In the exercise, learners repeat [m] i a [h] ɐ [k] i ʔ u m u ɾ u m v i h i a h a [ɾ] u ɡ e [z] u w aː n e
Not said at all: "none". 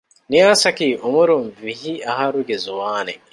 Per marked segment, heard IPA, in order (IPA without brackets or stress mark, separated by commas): n, s, k, ɾ, z